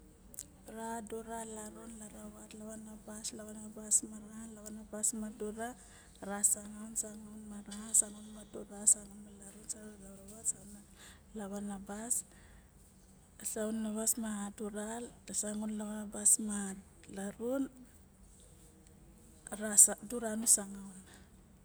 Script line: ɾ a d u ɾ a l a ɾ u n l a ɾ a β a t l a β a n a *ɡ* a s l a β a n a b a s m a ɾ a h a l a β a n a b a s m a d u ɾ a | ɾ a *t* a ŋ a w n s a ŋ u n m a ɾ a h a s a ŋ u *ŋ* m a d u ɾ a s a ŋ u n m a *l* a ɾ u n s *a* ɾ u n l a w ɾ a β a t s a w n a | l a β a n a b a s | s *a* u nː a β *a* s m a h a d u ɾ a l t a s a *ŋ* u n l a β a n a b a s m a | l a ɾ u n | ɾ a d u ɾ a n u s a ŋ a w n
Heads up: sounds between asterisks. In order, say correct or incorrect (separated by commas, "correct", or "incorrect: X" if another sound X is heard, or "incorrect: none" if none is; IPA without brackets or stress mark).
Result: incorrect: b, incorrect: s, incorrect: n, correct, correct, correct, correct, correct